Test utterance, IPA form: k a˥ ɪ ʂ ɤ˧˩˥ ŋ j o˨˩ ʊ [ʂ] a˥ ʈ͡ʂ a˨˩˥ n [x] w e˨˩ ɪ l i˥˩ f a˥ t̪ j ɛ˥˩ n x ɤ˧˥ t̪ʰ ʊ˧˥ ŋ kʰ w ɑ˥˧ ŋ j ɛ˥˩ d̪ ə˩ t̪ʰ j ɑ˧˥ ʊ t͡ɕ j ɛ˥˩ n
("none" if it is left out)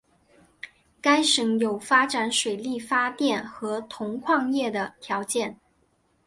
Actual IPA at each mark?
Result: f, ʂ

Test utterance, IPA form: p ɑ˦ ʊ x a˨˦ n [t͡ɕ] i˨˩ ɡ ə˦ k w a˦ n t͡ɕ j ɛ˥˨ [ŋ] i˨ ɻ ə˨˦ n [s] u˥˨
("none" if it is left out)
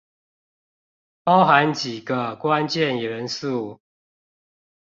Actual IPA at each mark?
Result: t͡ɕ, n, s

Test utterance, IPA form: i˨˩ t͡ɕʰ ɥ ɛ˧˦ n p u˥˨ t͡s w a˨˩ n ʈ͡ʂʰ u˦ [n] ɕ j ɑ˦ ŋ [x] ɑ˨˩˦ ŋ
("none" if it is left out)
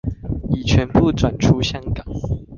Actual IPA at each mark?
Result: none, k

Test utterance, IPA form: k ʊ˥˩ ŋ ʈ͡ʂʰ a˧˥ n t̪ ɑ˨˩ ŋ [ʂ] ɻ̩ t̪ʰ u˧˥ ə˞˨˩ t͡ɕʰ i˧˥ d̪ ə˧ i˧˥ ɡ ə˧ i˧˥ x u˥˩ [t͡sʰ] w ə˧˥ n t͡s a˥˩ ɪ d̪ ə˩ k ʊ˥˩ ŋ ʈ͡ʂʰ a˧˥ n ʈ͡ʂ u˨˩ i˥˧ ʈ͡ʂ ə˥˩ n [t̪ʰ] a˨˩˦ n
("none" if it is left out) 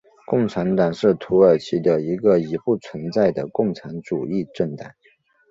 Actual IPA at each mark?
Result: ʂ, t͡sʰ, t̪

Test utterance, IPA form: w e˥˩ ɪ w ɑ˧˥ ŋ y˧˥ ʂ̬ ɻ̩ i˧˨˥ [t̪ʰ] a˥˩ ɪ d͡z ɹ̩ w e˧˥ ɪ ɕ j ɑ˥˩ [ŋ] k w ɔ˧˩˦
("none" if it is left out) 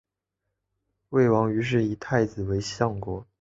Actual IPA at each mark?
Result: t̪ʰ, ŋ

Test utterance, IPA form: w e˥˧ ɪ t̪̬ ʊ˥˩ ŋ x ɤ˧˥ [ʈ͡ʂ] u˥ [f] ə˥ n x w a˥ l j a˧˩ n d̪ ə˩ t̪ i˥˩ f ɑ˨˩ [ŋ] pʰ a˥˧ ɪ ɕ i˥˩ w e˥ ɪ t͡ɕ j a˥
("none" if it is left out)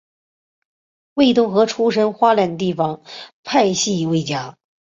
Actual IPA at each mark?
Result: ʈ͡ʂʰ, ʂ, ŋ

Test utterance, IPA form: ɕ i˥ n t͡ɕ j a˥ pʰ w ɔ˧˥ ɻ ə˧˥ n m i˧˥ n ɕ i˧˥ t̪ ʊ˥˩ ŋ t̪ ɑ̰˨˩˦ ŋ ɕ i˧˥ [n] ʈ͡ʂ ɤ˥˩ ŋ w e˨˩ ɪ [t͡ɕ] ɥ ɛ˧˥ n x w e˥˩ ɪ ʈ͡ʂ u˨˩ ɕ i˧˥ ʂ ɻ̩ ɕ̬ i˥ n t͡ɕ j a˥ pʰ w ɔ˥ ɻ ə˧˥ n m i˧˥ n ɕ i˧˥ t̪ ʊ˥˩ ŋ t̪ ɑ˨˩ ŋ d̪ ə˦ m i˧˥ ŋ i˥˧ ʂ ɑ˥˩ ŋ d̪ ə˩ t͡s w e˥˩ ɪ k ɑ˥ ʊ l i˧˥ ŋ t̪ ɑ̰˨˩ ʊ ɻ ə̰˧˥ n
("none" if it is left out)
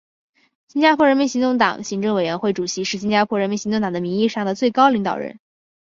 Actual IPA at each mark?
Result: ŋ, none

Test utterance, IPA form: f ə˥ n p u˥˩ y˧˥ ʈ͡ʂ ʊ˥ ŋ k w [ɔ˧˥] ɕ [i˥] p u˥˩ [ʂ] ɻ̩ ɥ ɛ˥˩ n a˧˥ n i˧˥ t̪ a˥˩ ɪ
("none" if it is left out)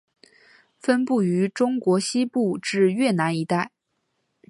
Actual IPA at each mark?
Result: ɔ˧˥, i˥, ʈ͡ʂ

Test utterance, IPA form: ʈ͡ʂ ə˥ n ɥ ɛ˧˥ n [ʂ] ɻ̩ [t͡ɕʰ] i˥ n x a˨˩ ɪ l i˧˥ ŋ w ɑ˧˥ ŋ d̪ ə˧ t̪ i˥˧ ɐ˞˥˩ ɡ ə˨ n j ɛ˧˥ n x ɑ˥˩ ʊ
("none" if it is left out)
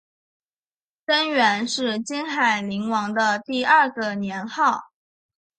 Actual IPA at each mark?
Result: ʂ, t͡ɕ

